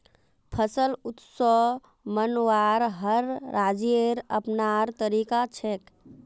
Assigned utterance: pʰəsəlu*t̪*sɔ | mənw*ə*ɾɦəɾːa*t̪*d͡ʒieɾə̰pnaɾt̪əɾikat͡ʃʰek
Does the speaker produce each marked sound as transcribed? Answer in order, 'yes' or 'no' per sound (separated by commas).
yes, no, no